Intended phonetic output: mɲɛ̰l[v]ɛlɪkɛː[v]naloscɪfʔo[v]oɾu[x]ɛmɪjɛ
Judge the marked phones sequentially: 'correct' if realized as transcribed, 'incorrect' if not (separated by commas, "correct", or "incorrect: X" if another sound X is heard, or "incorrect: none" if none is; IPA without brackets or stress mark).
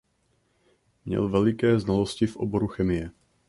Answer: correct, incorrect: z, incorrect: b, correct